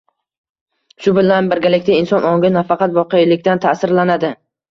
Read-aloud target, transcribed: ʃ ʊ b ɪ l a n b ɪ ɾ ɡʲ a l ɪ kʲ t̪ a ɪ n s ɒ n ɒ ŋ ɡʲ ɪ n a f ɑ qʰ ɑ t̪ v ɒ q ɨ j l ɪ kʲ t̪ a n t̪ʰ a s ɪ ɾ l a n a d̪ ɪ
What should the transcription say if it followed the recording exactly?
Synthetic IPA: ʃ ʊ b ɪ l a n b ɪ ɾ ɡʲ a l ɪ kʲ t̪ a ɪ n s ɒ n ɒ ŋ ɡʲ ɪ n a f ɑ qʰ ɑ t̪ v ɒ q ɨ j l ɪ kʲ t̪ a n t̪ʰ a s ɪ ɾ l a n a d̪ ɪ